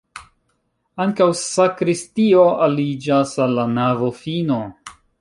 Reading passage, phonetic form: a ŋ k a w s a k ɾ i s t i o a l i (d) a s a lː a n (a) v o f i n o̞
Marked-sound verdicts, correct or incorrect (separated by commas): incorrect, correct